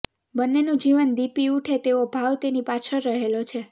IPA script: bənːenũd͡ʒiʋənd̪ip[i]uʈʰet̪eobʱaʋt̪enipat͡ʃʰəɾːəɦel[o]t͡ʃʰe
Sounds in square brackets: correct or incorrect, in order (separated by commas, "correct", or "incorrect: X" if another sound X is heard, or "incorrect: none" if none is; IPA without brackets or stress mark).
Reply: correct, correct